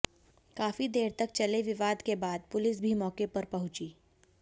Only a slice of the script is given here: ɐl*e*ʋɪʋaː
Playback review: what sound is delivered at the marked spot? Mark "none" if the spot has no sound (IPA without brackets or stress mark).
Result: e